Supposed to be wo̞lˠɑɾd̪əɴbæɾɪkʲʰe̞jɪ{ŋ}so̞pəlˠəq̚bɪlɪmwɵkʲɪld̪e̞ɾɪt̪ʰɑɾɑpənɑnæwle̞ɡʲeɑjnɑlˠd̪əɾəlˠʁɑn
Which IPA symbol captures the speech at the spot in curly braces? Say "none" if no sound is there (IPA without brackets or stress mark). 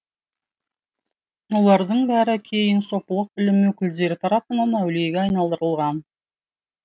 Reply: n